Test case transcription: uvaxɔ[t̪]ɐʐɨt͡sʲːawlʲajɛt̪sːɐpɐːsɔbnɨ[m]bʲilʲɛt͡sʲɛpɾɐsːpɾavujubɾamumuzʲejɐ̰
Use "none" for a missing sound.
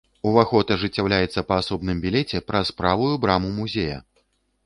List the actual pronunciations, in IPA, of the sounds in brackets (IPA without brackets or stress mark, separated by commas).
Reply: t̪, m